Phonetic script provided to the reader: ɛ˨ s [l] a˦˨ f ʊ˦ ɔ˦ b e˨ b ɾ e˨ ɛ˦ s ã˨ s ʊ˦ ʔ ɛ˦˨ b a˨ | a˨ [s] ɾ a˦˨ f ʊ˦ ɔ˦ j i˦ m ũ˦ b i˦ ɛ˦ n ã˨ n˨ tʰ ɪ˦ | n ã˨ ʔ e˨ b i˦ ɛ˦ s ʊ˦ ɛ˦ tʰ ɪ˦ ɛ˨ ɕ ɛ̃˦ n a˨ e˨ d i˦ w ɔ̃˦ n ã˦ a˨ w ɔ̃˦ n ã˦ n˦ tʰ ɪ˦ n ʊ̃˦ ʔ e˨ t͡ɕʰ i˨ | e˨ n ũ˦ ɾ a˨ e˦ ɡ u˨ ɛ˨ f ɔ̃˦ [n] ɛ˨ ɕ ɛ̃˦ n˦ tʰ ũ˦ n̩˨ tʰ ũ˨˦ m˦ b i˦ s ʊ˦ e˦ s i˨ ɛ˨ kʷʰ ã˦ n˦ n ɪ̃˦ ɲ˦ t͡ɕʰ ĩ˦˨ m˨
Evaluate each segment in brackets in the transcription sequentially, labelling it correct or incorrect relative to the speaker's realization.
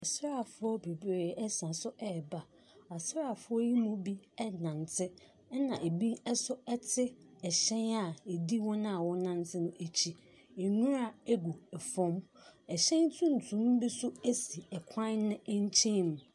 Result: incorrect: ɾ, correct, incorrect: m

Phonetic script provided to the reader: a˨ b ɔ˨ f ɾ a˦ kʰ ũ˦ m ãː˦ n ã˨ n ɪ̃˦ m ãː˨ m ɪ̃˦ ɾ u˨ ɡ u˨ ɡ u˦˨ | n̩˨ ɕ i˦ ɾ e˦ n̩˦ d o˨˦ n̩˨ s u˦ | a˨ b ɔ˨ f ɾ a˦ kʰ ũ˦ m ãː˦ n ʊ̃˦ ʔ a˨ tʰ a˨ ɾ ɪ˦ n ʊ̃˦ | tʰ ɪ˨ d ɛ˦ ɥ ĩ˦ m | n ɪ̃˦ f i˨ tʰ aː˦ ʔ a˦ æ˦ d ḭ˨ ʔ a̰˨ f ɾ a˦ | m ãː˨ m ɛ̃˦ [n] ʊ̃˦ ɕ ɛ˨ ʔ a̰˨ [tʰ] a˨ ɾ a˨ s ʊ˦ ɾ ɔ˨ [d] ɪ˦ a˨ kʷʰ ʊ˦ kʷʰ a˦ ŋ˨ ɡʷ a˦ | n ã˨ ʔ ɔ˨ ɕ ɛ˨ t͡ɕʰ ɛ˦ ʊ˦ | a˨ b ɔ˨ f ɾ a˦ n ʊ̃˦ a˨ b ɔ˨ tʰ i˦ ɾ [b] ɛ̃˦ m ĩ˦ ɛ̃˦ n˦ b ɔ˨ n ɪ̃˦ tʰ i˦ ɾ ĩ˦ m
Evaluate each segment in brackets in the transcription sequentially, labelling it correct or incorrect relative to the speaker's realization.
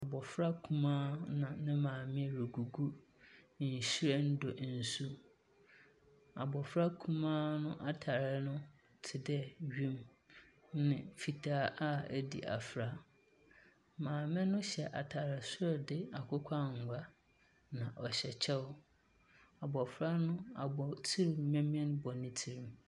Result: correct, correct, correct, incorrect: m

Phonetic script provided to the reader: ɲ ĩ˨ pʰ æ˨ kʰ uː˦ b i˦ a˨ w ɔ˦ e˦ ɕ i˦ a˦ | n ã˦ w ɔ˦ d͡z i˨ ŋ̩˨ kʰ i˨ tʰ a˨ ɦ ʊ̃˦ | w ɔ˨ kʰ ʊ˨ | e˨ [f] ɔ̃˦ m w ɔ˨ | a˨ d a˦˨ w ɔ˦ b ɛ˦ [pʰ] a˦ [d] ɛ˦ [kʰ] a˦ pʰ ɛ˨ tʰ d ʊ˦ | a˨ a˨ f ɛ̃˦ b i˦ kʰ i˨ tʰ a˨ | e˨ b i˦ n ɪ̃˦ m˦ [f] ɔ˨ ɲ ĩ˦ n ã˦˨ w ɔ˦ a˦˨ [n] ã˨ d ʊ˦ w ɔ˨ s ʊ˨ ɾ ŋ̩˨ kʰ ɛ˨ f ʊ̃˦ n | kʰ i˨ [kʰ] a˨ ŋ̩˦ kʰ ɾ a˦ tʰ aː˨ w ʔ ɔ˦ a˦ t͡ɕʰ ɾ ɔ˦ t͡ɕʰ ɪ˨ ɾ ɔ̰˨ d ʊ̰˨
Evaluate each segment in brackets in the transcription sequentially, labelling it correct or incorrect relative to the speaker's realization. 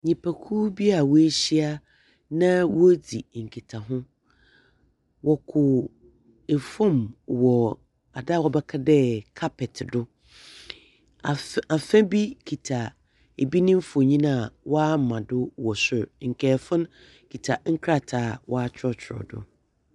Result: correct, incorrect: kʰ, correct, correct, correct, incorrect: m, incorrect: tʰ

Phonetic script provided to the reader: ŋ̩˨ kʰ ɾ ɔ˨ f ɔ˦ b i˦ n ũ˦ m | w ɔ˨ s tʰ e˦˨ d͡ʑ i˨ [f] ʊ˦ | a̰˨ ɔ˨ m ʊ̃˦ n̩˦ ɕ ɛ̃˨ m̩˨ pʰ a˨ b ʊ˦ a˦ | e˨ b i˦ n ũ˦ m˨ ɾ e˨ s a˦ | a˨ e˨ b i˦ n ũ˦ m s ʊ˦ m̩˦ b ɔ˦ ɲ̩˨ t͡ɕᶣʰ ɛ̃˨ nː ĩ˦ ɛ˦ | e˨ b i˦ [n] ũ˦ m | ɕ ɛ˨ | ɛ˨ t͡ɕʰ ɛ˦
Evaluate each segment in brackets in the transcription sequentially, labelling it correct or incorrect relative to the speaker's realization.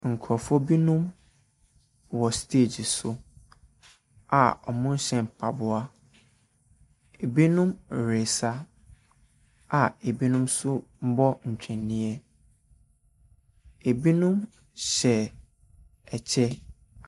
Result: incorrect: s, correct

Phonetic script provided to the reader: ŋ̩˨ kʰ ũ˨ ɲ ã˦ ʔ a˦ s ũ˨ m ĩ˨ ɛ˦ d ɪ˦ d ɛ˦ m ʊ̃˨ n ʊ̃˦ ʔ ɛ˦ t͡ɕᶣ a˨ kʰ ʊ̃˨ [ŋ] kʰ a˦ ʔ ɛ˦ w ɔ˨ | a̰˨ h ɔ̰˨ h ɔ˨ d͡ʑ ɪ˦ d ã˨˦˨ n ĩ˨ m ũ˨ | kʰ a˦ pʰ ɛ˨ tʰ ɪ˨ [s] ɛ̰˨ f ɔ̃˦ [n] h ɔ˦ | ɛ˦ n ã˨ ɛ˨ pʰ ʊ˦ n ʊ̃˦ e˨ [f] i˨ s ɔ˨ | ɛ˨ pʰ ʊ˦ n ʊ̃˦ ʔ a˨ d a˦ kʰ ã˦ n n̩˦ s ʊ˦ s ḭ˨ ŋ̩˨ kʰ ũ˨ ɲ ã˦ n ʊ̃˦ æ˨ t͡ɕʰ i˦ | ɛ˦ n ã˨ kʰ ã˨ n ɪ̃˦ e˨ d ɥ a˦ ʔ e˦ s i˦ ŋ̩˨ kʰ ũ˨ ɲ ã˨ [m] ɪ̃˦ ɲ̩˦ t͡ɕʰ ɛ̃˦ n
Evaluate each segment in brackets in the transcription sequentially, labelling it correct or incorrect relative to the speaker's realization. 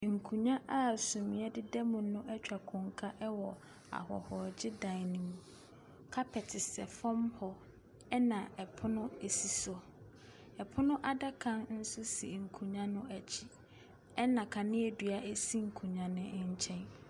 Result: correct, correct, incorrect: m, incorrect: s, incorrect: n

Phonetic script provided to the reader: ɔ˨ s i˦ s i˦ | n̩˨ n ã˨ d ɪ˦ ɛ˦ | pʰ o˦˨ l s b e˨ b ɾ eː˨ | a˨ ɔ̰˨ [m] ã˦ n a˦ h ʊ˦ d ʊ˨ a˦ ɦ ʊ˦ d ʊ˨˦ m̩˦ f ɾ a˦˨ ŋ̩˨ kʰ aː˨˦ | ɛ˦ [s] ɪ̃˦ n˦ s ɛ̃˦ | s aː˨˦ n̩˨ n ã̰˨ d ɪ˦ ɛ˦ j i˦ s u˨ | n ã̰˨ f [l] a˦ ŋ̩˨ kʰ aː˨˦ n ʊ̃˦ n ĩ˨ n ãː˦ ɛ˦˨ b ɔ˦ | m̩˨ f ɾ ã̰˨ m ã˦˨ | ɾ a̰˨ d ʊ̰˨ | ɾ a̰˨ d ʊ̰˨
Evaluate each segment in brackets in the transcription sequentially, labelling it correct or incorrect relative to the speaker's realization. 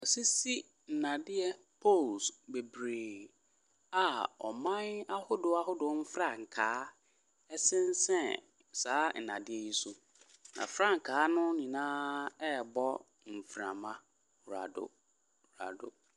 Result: correct, correct, incorrect: ɾ

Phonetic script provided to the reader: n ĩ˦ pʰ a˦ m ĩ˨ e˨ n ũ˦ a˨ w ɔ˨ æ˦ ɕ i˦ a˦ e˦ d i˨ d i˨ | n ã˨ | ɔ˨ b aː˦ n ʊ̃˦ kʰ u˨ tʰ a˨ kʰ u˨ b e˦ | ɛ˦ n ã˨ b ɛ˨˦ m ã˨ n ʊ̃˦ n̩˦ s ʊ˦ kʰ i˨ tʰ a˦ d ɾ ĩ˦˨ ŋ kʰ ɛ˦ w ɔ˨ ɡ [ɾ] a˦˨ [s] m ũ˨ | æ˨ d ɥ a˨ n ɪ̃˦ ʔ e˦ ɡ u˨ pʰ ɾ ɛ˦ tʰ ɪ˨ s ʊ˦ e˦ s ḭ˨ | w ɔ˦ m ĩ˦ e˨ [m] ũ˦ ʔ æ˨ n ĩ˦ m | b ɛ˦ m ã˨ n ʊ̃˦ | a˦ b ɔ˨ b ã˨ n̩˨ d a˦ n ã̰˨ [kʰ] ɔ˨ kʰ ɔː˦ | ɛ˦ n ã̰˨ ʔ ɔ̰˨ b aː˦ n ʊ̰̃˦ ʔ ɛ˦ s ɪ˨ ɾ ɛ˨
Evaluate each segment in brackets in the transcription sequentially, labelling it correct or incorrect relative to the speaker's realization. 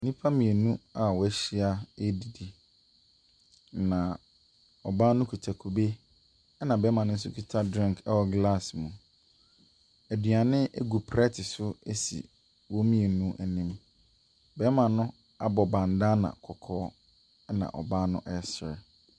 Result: incorrect: l, correct, incorrect: n, correct

